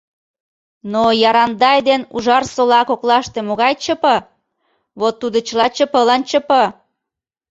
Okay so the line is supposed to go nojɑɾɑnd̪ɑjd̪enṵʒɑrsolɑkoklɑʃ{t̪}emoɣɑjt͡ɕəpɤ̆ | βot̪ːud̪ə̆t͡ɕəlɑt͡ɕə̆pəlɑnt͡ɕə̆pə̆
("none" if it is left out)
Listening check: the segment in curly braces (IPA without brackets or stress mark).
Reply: t̪